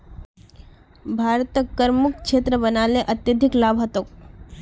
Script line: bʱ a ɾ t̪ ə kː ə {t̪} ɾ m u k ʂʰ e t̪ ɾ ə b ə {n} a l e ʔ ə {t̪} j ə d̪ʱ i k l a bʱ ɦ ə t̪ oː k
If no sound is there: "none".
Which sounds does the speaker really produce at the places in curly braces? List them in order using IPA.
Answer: none, n, t̪

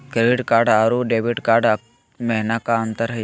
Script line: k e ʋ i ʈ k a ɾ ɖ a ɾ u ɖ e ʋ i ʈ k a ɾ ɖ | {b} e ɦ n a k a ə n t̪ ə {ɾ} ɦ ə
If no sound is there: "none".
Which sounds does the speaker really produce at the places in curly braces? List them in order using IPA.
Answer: m, ɾ

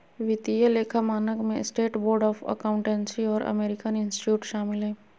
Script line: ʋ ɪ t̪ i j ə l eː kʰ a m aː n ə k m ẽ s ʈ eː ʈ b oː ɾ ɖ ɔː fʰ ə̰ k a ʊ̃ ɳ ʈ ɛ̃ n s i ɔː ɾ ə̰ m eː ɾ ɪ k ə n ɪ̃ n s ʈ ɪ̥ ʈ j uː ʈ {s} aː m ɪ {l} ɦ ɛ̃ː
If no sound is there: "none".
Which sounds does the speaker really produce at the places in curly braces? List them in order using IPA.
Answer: ʃ, l

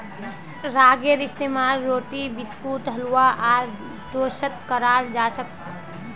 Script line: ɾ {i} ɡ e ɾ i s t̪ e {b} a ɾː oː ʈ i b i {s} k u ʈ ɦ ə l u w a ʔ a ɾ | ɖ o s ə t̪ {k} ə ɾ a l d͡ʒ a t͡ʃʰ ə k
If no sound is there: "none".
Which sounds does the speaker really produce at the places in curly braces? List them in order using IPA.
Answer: a, m, s, k

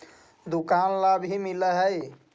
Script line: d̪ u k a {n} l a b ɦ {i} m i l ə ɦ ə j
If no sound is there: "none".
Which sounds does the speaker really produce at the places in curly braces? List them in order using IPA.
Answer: n, i

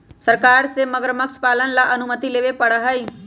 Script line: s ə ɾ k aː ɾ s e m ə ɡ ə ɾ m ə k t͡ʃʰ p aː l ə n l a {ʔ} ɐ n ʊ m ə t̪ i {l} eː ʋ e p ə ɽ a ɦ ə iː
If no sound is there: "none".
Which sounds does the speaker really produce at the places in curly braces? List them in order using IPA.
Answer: ʔ, l

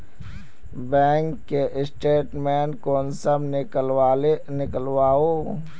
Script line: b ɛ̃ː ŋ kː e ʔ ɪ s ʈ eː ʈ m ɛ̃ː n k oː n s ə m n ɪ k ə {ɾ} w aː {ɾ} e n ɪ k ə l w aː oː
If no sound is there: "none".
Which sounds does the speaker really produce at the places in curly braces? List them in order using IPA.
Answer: l, l

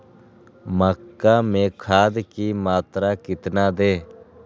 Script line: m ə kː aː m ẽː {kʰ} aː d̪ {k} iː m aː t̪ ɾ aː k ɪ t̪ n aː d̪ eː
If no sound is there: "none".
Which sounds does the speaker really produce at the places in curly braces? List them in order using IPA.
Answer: kʰ, k

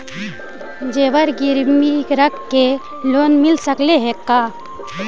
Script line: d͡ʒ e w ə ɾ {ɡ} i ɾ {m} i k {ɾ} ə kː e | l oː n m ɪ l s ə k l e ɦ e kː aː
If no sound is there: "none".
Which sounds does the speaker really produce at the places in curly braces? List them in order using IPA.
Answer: ɡ, m, ɾ

